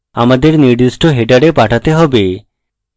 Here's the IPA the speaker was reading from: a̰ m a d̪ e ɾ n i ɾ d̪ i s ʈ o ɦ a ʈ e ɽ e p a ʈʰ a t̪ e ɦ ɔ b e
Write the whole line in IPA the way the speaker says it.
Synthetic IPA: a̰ m a d̪ e ɾ n i ɾ d̪ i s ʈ o ɦ e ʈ a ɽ e p a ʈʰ a t̪ e ɦ ɔ b e